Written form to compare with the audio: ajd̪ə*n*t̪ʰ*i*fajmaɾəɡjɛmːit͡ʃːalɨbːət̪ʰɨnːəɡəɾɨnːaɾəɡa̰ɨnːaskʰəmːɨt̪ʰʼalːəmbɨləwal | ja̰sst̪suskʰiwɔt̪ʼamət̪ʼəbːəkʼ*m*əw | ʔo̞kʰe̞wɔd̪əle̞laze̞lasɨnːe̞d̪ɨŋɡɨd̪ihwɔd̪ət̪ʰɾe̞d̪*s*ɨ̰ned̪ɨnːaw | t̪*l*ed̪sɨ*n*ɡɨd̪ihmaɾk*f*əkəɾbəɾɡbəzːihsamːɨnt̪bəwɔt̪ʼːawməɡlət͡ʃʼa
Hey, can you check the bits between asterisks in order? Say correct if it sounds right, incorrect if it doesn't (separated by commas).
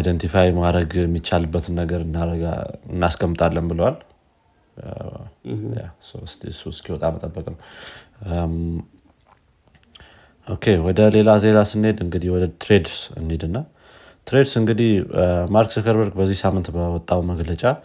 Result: correct, correct, incorrect, correct, incorrect, incorrect, incorrect